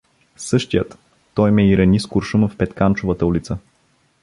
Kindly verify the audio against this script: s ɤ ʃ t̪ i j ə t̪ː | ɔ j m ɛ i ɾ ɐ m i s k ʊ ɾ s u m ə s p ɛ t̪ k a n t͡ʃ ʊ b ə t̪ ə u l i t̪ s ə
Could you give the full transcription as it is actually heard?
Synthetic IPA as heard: s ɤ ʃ t̪ i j ə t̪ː | ɔ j m ɛ i ɾ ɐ n i s k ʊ ɾ ʃ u m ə f p ɛ t̪ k a n t͡ʃ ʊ v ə t̪ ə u l i t̪ s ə